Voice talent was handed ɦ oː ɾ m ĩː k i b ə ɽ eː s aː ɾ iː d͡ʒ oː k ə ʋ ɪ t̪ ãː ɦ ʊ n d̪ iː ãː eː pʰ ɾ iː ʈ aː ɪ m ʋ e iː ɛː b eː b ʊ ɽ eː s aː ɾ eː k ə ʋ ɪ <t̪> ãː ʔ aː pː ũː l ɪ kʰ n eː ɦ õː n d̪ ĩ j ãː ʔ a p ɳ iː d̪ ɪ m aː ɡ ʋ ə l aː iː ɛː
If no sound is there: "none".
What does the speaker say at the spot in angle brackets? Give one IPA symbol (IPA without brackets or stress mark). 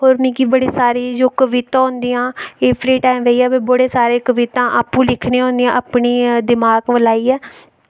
t̪